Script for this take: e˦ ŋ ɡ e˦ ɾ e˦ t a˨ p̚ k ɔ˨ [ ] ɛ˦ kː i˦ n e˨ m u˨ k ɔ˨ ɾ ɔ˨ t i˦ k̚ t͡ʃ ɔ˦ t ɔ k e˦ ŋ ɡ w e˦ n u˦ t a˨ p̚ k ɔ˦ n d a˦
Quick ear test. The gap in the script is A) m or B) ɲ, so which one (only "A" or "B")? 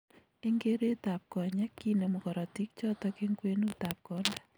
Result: B